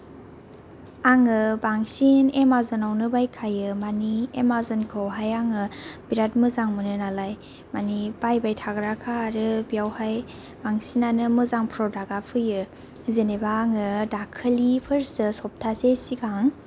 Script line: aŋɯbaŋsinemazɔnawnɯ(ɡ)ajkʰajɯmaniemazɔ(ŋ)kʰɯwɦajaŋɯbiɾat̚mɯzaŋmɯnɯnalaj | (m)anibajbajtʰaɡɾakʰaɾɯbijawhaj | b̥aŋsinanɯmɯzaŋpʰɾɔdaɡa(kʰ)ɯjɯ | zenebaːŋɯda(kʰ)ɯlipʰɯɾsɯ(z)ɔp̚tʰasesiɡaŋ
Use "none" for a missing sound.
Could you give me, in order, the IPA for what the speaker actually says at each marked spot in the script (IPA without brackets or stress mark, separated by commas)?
b, n, m, pʰ, kʰ, s